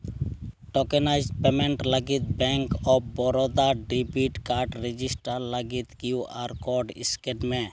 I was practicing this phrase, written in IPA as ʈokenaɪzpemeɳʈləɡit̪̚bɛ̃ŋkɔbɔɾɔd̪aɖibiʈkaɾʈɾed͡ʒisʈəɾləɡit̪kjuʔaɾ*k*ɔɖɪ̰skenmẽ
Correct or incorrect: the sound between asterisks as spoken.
correct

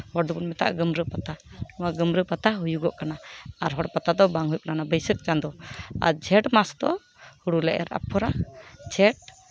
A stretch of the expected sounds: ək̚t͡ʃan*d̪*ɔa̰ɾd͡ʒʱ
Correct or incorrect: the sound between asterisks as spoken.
correct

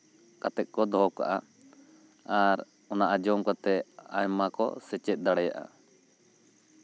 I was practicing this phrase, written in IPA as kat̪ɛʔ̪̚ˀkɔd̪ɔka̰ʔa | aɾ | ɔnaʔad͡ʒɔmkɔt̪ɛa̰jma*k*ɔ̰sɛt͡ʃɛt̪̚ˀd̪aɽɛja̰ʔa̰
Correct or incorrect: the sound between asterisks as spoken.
correct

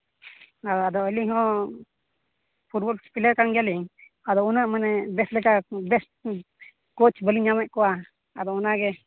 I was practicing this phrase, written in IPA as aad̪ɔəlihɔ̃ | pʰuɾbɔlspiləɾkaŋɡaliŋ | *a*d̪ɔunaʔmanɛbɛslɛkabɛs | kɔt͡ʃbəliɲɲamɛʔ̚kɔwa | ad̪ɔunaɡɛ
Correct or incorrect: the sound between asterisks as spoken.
correct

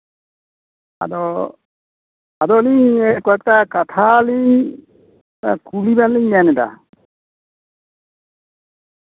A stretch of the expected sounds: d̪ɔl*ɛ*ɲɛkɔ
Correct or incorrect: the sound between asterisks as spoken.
incorrect: i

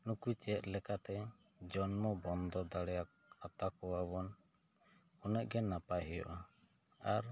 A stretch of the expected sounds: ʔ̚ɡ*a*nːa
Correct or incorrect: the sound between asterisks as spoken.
incorrect: ɛ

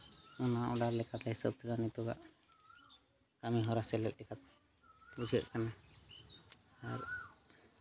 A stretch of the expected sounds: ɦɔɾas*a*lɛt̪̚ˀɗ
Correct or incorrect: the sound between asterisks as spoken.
incorrect: ɛ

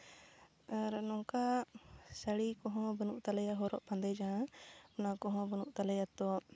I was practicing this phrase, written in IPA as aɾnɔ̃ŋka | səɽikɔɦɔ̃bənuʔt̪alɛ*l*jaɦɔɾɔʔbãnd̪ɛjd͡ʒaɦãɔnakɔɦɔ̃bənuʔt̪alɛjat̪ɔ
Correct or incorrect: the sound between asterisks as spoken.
incorrect: none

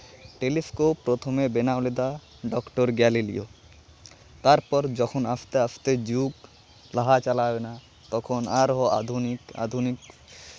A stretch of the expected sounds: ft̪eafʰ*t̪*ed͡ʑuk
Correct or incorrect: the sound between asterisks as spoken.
correct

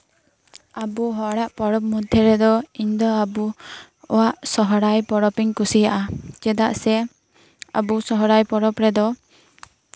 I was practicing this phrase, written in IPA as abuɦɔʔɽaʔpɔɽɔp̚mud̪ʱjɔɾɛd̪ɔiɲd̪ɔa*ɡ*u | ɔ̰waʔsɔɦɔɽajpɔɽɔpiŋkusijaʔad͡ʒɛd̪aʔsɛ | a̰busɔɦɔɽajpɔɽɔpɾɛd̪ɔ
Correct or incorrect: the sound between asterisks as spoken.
incorrect: b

